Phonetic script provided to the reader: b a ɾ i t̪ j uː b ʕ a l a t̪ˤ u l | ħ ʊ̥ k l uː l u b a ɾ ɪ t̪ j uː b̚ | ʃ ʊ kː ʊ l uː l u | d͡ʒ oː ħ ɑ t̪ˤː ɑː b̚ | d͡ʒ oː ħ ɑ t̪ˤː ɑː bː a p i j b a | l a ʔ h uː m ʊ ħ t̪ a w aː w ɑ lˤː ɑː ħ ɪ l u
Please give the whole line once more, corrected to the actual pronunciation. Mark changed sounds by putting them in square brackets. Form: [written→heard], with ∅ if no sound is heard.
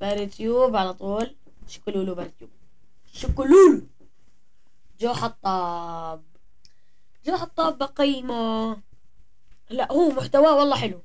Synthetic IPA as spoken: b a ɾ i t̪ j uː b ʕ a l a t̪ˤ [u→uː] l | [ħ→ʃ] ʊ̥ k l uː l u b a ɾ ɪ t̪ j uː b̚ | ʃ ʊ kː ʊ l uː l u | d͡ʒ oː ħ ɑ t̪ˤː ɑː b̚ | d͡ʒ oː ħ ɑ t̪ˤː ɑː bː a [p→q] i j [b→m] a | l a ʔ h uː m ʊ ħ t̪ a w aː w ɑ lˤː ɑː ħ ɪ l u